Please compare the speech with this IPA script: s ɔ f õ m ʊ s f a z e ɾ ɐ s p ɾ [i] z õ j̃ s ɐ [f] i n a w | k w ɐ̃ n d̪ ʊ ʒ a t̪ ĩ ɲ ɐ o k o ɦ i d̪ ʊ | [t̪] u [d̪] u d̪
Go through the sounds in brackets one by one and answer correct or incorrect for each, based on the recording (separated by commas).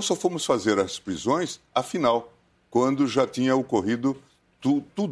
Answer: correct, correct, correct, incorrect